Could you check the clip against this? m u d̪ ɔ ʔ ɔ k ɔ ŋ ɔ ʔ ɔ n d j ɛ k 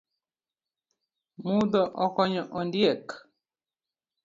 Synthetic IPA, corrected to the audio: m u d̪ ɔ ʔ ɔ k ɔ ɲ ɔ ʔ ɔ n d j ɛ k

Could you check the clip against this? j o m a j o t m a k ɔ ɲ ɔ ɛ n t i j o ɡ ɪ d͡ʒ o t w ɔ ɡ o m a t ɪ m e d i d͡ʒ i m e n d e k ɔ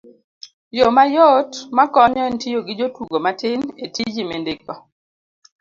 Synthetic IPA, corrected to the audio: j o m a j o t m a k ɔ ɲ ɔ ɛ n t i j o ɡ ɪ d͡ʒ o t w u ɡ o m a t ɪ n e t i d͡ʒ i m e n d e k ɔ

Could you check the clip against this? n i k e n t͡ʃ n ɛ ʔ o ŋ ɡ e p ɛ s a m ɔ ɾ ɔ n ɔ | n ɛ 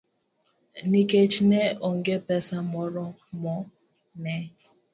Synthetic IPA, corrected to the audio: n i k e t͡ʃ n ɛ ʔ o ŋ ɡ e p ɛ s a m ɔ ɾ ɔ m ɔ | n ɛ

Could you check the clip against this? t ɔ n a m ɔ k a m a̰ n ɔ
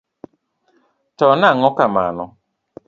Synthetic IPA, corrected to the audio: t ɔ n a ŋ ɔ k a m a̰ n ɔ

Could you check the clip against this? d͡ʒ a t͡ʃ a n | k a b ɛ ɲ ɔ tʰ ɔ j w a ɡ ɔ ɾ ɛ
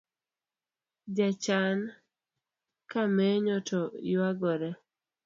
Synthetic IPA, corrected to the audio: d͡ʒ a t͡ʃ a n | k a m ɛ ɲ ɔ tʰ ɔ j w a ɡ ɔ ɾ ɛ

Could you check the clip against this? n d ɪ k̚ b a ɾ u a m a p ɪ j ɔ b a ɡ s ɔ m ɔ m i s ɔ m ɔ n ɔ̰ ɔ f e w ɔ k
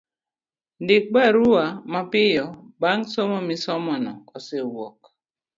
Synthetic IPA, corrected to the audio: n d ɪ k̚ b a ɾ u a m a p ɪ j ɔ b a ŋ s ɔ m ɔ m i s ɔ m ɔ n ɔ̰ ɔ s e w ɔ k

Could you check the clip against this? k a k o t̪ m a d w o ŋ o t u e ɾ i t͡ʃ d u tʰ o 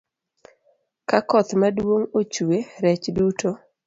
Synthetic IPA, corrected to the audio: k a k ɔ t̪ m a d w o ŋ o t͡ʃ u e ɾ ɛ t͡ʃ d u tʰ o

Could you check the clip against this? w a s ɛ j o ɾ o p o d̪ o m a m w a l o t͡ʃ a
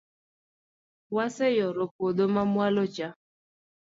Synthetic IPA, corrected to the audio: w a s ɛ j ɔ ɾ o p o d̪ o m a m w a l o t͡ʃ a

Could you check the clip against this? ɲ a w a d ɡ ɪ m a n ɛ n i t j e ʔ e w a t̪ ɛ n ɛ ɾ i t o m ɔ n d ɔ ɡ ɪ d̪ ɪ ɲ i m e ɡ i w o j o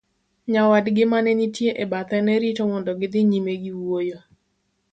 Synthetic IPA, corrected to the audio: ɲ a w a d ɡ ɪ m a n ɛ n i t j e ʔ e b a t̪ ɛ n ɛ ɾ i t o m ɔ n d ɔ ɡ ɪ d̪ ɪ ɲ i m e ɡ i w o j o

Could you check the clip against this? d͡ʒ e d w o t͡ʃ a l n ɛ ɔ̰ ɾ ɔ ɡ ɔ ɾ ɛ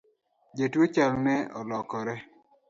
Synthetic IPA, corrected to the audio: d͡ʒ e t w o t͡ʃ a l n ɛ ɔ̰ l ɔ k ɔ ɾ ɛ

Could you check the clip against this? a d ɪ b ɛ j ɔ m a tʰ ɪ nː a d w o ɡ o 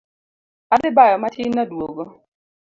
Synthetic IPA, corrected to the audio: a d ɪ b a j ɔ m a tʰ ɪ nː a d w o ɡ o

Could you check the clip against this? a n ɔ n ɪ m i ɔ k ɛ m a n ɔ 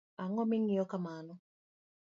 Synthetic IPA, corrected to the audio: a ŋ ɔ m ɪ ŋ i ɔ k a m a n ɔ

